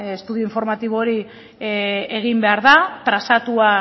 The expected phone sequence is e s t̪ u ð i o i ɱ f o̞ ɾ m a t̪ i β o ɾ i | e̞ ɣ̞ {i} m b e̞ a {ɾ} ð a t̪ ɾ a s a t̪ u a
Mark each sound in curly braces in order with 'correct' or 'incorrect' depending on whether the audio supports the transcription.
correct, correct

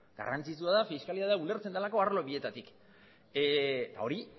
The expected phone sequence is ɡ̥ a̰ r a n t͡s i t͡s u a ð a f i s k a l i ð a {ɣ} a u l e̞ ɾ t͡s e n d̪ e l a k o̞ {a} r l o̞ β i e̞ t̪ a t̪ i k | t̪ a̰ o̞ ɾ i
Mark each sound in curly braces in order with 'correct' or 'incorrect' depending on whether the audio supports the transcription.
incorrect, correct

